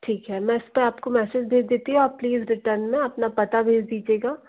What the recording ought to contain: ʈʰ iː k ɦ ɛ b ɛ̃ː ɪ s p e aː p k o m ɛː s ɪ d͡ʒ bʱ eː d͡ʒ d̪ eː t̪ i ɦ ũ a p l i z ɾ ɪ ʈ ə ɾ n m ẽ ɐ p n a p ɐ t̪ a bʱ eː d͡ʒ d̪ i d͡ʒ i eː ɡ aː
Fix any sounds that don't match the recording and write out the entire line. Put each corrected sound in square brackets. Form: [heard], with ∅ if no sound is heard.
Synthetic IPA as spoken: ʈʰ iː k ɦ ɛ [m] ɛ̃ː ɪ s p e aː p k o m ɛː s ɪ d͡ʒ bʱ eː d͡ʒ d̪ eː t̪ i ɦ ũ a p l [iː] z ɾ ɪ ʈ ə ɾ n m ẽ ɐ p n a p ɐ t̪ a bʱ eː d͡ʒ d̪ [iː] d͡ʒ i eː ɡ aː